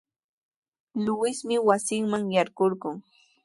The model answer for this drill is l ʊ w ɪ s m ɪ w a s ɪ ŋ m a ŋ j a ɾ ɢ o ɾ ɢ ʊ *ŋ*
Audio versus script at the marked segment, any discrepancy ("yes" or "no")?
no